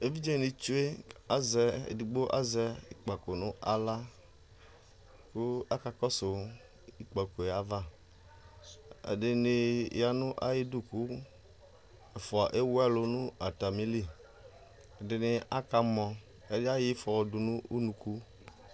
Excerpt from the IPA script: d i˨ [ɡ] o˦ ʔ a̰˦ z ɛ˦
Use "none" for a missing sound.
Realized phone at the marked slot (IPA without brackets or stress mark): ɡ͡b